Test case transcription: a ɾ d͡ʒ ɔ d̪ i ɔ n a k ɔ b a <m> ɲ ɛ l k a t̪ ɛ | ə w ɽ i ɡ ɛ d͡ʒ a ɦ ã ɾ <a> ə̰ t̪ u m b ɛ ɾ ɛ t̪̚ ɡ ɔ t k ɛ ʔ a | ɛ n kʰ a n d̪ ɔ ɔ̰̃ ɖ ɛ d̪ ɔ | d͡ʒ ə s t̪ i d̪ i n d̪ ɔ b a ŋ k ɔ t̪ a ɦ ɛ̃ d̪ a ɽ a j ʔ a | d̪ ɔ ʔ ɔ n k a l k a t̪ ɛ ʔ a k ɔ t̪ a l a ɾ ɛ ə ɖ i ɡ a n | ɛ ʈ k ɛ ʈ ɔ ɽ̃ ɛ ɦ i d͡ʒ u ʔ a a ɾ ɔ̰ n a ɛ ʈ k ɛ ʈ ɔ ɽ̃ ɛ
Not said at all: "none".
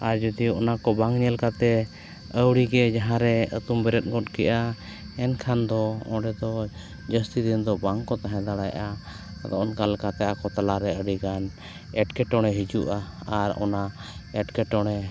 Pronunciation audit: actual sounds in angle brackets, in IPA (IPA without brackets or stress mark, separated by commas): ŋ, ɛ